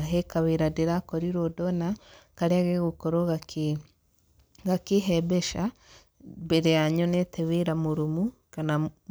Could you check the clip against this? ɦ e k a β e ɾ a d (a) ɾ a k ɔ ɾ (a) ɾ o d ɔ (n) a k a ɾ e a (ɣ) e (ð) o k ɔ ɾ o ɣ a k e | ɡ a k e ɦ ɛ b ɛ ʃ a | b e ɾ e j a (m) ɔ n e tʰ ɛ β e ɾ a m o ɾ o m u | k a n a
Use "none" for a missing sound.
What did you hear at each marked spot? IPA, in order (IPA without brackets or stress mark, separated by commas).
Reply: e, i, n, ɣ, ɣ, ɲ